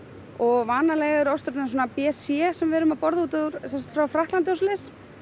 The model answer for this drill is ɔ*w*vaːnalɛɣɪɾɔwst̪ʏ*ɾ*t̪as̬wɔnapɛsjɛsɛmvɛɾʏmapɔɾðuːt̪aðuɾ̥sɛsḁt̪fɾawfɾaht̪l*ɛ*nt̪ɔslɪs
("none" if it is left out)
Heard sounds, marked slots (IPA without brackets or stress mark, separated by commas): ɣ, ɾ, a